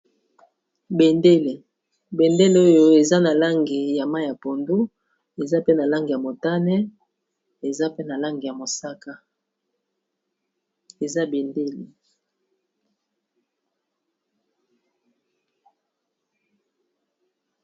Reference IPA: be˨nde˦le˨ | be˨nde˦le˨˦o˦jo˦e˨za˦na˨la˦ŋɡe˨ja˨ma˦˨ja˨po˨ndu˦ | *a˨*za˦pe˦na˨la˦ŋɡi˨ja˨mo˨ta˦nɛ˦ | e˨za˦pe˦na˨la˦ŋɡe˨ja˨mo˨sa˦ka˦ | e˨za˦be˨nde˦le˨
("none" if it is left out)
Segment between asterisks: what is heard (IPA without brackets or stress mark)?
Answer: e˨